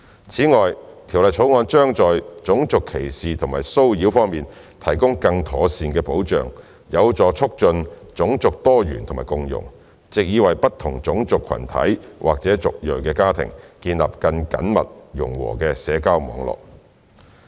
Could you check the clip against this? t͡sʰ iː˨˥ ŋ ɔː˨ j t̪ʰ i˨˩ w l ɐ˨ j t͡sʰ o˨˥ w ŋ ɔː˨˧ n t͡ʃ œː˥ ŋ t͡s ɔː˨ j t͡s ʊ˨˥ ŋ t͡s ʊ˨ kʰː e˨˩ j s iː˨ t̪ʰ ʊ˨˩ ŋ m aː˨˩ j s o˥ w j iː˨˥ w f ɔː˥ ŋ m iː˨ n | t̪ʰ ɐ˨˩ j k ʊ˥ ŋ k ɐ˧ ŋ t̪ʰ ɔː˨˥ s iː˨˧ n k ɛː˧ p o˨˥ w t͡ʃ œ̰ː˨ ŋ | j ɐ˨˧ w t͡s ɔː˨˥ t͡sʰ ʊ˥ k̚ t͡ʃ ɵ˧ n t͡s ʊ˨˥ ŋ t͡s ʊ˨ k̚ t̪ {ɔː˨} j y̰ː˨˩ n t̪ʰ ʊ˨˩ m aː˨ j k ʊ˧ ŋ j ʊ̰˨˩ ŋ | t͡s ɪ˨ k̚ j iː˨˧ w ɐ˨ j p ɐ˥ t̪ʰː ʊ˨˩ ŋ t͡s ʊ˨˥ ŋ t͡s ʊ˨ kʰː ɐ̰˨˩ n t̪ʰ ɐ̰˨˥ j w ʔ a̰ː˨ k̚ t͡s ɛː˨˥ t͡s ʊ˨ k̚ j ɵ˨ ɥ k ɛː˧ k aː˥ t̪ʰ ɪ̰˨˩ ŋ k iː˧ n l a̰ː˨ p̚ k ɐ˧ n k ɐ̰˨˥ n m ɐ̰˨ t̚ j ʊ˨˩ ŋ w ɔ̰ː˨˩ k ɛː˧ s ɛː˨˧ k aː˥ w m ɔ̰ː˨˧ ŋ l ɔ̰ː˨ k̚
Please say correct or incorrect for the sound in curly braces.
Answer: incorrect